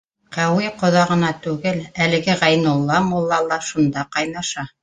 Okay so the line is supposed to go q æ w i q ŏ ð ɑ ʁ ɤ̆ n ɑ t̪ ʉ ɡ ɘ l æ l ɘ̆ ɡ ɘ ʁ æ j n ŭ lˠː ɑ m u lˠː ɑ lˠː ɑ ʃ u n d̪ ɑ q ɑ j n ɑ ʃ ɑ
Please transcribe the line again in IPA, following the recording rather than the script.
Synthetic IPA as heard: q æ w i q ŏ ð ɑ ʁ ɤ̆ n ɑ t̪ ʉ ɡ ɘ l æ l ɘ̆ ɡ ɘ ʁ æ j n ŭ lˠː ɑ m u lˠː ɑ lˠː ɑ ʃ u n d̪ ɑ q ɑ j n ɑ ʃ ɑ